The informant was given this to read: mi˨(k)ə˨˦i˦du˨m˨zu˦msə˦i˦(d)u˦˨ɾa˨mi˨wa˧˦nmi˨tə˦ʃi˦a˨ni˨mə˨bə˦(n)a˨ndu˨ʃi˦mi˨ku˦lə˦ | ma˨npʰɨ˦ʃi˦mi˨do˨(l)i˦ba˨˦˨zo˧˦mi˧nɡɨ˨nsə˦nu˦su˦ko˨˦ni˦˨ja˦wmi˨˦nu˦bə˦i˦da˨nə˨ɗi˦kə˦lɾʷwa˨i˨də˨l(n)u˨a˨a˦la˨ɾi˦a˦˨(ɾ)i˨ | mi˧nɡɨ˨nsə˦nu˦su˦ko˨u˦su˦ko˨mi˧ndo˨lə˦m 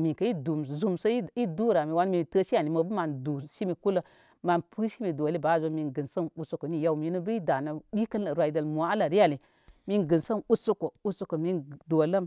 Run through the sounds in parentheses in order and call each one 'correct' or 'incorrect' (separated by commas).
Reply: correct, correct, incorrect, correct, incorrect, incorrect